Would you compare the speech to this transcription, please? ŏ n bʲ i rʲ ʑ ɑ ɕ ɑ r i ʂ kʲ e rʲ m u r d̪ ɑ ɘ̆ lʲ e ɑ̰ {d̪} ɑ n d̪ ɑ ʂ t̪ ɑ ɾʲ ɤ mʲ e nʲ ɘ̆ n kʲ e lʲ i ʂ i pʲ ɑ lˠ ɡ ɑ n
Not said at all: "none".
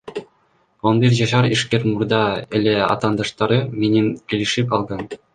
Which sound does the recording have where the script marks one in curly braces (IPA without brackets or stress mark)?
t̪